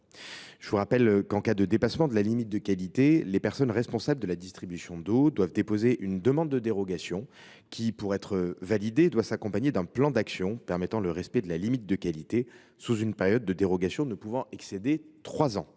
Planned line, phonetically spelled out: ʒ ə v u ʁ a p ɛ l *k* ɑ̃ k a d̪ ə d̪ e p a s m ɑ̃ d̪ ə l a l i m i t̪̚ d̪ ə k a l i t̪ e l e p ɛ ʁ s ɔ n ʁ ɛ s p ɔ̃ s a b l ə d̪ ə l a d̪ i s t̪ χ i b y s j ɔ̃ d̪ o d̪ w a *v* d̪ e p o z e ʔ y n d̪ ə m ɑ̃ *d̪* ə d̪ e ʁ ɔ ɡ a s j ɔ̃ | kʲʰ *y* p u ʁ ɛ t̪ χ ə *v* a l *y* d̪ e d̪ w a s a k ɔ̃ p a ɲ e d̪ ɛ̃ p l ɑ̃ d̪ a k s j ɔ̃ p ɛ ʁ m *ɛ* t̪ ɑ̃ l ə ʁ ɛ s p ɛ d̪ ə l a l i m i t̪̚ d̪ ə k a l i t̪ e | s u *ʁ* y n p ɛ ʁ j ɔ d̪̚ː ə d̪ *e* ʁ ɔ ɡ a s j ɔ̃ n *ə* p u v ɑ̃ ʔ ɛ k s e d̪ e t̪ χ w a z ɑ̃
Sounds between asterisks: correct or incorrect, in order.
correct, correct, incorrect: d̪ː, incorrect: i, correct, incorrect: i, correct, incorrect: z, correct, correct

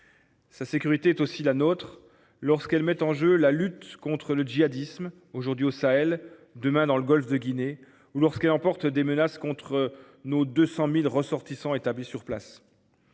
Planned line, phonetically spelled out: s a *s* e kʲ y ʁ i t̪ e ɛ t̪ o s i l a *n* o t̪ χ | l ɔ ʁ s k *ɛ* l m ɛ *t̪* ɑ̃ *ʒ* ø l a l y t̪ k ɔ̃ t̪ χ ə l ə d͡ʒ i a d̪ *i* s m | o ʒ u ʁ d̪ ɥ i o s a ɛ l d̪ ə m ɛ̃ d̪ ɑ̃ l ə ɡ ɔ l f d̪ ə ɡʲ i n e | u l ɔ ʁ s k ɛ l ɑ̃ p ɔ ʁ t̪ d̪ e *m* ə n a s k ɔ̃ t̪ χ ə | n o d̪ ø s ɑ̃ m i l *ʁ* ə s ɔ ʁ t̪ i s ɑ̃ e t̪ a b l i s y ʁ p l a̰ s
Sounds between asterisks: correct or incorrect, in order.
correct, correct, correct, correct, correct, correct, correct, correct

